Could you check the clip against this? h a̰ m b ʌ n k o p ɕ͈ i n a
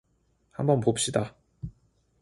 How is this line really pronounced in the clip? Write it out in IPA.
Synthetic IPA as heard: h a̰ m b ʌ n p o p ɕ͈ i d a

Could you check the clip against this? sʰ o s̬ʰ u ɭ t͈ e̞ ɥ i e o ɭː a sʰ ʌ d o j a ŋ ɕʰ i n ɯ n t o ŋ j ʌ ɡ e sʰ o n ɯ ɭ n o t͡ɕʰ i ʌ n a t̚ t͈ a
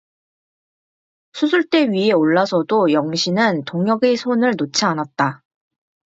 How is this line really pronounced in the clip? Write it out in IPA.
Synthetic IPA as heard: sʰ u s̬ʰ u ɭ t͈ e̞ ɥ i e o ɭː a sʰ ʌ d o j ʌ ŋ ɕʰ i n ɯ n t o ŋ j ʌ ɡ e sʰ o n ɯ ɭ n o t͡ɕʰ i a n a t̚ t͈ a

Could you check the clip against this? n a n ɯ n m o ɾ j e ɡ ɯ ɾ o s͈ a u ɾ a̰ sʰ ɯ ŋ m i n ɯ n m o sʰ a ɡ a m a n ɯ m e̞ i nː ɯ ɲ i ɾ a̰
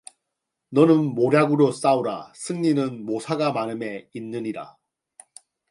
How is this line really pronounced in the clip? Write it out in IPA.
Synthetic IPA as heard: n ʌ n ɯ n m o ɾ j a ɡ ɯ ɾ o s͈ a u ɾ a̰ sʰ ɯ ŋ ɲ i n ɯ n m o sʰ a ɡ a m a n ɯ m e̞ i nː ɯ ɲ i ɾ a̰

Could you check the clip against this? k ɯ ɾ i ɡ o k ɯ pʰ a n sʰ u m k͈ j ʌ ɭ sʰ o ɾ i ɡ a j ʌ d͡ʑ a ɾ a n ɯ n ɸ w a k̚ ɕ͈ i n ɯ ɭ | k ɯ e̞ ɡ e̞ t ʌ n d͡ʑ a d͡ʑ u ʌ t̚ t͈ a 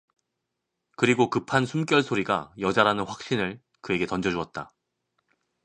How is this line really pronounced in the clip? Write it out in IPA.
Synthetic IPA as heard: k ɯ ɾ i ɡ o k ɯ pʰ a n sʰ u m k͈ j ʌ ɭ sʰ o ɾ i ɡ a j ʌ d͡ʑ a ɾ a n ɯ n ɸ w a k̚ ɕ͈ i n ɯ ɭ | k ɯ e̞ ɡ e̞ t ʌ n d͡ʑ ʌ d͡ʑ u ʌ t̚ t͈ a

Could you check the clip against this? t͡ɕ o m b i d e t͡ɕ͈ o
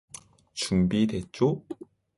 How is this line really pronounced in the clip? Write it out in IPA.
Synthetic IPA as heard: t͡ɕ u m b i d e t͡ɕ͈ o

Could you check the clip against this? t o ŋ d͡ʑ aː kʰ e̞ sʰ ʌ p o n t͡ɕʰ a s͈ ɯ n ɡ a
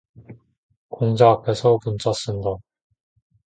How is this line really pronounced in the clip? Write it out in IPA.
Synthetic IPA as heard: k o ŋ d͡ʑ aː pʰ e̞ sʰ ʌ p u n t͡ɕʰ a s͈ ɯ n d a

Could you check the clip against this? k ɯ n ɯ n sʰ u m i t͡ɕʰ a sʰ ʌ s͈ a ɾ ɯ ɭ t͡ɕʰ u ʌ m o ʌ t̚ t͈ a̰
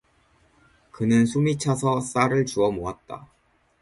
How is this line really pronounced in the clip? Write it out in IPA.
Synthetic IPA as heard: k ɯ n ɯ n sʰ u m i t͡ɕʰ a sʰ ʌ s͈ a ɾ ɯ ɭ t͡ɕ u ʌ m o a t̚ t͈ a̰

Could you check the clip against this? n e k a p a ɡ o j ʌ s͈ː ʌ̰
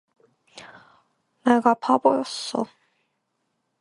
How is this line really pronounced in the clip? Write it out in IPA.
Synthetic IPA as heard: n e ɡ a pʰ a b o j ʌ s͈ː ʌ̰

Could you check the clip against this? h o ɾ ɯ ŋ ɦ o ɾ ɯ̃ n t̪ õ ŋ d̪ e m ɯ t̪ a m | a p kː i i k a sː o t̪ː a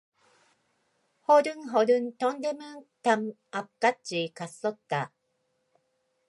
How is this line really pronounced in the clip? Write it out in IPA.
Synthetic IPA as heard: h o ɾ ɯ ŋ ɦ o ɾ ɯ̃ n t̪ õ n d̪ e m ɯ t̪ a m | a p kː a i k a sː o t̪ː a

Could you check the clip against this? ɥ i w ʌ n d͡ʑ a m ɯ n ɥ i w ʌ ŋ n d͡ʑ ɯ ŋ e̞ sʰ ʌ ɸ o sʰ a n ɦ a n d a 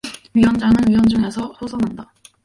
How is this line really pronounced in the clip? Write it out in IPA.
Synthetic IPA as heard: ɥ i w ʌ n d͡ʑ a ŋ ɯ n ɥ i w ʌ n d͡ʑ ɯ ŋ e̞ sʰ ʌ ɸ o sʰ ʌ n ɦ a n d a

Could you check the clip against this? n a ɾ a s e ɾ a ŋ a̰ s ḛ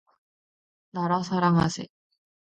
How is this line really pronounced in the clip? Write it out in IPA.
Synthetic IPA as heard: n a ɾ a s a ɾ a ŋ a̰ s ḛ

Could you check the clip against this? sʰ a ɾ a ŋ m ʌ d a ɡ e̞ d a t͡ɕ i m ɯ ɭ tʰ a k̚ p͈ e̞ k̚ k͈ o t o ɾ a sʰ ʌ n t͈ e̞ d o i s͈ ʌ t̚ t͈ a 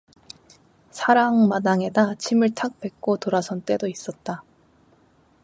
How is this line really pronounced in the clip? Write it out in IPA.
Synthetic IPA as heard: sʰ a ɾ a ŋ m a d a ŋ e̞ d a t͡ɕʰ i m ɯ ɭ tʰ a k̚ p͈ e̞ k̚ k͈ o t o ɾ a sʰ ʌ n t͈ e̞ d o i s͈ ʌ t̚ t͈ a

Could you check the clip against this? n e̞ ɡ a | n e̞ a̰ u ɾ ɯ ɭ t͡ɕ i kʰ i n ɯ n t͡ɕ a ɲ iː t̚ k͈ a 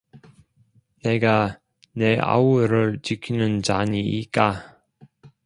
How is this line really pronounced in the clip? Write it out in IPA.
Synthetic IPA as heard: n e̞ ɡ a | n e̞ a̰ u ɾ ɯ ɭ t͡ɕ i kʰ i n ɯ n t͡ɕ a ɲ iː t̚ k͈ a

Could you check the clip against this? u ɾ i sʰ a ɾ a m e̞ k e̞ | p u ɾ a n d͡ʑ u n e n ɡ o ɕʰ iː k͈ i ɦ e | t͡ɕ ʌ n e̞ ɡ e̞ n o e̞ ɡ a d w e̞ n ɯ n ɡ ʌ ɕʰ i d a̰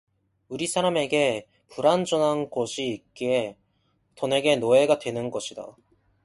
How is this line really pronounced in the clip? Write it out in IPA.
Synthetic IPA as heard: u ɾ i sʰ a ɾ a m e̞ ɡ e̞ | p u ɾ a n d͡ʑ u n a n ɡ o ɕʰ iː k͈ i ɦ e | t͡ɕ ʌ n e̞ ɡ e̞ n o e̞ ɡ a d w e̞ n ɯ n ɡ ʌ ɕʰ i d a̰

